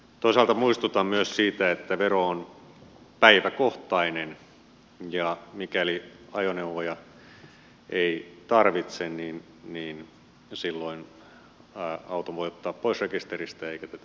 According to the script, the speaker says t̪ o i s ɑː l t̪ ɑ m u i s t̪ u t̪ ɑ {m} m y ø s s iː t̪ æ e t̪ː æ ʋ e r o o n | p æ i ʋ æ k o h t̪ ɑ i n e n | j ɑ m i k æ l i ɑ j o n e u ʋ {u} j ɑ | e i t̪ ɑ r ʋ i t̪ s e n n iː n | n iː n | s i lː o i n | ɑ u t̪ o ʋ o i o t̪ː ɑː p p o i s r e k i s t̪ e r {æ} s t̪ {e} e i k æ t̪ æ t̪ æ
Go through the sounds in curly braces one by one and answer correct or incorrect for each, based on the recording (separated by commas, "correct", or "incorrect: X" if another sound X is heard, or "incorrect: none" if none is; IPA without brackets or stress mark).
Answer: correct, incorrect: o, incorrect: i, incorrect: æ